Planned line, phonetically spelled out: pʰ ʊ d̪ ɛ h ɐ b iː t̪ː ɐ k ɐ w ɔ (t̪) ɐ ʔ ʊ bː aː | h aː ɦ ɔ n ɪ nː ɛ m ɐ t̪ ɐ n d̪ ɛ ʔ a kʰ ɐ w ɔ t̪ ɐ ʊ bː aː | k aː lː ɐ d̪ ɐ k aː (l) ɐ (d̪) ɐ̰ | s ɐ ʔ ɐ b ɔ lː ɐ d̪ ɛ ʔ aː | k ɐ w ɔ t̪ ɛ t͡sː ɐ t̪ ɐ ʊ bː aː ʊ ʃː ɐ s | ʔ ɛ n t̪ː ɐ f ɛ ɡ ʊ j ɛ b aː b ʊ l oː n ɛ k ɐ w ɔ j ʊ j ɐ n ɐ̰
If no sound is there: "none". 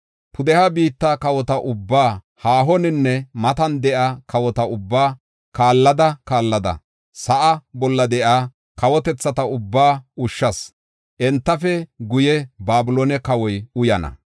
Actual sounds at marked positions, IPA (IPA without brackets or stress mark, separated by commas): t̪, lː, d̪